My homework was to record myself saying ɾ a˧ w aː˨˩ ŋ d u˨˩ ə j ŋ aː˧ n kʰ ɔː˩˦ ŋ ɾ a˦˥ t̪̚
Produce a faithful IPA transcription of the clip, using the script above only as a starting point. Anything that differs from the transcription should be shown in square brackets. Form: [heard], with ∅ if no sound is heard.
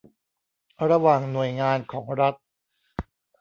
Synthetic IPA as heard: ɾ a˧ w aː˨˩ ŋ [n] u˨˩ ə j ŋ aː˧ n kʰ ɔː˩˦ ŋ ɾ a˦˥ t̪̚